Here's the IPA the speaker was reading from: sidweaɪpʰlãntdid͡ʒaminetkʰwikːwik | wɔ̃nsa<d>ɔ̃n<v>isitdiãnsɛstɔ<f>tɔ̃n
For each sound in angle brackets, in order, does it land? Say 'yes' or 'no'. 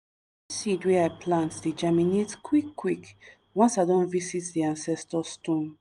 yes, yes, no

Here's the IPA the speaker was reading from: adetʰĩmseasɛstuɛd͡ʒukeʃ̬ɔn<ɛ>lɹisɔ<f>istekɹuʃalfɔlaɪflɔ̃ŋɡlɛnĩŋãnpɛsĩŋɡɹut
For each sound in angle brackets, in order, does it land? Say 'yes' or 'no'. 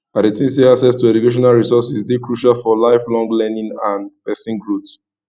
no, no

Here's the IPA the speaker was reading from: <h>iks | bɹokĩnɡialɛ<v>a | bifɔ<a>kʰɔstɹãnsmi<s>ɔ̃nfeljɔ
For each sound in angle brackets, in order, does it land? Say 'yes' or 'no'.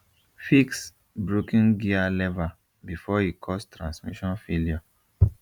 no, yes, no, no

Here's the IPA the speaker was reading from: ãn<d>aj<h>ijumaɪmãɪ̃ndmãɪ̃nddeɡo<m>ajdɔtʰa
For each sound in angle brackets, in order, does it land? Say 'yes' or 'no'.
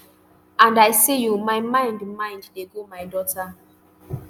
yes, no, yes

